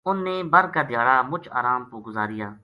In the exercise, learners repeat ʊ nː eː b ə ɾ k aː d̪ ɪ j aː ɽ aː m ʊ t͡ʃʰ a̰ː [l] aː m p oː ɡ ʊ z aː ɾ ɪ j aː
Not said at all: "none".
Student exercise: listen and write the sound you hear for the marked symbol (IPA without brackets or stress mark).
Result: ɾ